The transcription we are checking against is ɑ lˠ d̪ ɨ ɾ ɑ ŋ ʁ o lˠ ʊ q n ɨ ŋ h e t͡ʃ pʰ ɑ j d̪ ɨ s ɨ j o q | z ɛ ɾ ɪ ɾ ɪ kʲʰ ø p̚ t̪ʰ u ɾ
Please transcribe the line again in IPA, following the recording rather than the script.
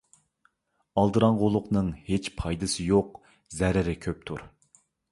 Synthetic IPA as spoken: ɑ lˠ d̪ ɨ ɾ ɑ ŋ ʁ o lˠ ʊ q n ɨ ŋ h e t͡ʃ pʰ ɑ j d̪ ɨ s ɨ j o q | z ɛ ɾ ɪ ɾ ɪ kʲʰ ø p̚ t̪ʰ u ɾ